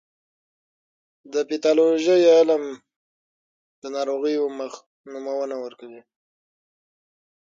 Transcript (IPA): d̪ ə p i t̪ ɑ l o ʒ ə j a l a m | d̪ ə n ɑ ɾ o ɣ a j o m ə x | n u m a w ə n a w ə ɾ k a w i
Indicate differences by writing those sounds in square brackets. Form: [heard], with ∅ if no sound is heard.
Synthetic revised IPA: d̪ ə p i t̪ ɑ l o ʒ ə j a l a m | d̪ ə n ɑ ɾ o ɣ [ə] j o m ə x | n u m a w ə n a w ə ɾ k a w i